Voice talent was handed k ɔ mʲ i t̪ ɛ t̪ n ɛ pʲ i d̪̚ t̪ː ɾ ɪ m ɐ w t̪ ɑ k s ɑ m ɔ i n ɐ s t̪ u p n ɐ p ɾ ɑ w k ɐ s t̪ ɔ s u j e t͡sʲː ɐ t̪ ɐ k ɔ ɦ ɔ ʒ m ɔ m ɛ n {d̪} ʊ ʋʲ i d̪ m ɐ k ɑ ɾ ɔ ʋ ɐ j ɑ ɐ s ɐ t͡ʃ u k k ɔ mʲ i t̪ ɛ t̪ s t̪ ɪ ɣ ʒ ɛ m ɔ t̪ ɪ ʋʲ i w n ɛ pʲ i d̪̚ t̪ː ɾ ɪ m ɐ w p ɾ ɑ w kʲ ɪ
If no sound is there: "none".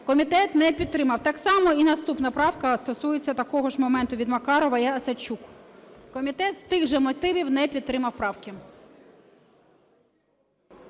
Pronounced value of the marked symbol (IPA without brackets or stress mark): t̪